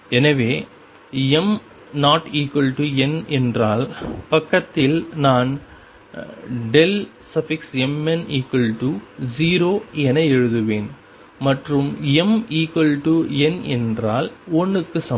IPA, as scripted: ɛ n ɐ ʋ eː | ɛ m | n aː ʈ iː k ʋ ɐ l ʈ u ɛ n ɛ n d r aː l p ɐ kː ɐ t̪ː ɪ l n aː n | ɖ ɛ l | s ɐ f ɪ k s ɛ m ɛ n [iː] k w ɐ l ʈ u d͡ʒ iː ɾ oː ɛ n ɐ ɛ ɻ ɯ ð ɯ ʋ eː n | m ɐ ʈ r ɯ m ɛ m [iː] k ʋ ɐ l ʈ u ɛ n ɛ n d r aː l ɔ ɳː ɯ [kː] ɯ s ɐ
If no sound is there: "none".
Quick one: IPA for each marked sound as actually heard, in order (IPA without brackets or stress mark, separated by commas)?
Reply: iː, iː, kː